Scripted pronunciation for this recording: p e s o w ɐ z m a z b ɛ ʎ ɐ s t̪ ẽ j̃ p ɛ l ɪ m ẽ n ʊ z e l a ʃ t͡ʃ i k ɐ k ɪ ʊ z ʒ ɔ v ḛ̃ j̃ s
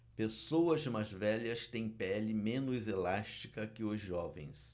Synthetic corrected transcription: p e s o w ɐ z m a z v ɛ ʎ ɐ s t̪ ẽ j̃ p ɛ l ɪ m ẽ n ʊ z e l a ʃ t͡ʃ i k ɐ k ɪ ʊ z ʒ ɔ v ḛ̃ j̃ s